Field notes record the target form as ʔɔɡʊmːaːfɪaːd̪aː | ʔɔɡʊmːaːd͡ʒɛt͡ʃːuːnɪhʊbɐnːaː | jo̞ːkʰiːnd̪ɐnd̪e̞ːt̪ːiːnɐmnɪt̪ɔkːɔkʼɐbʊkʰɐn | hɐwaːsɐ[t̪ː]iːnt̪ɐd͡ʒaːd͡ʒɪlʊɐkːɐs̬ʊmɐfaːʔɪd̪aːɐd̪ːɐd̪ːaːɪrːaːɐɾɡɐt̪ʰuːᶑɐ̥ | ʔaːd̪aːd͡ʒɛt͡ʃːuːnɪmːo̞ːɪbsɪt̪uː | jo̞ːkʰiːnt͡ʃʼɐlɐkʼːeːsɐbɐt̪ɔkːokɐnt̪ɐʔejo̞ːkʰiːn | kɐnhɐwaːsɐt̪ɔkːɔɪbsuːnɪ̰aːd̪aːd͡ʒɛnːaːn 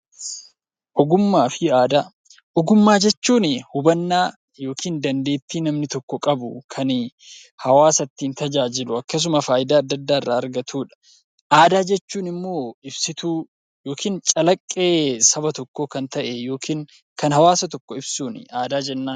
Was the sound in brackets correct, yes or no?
yes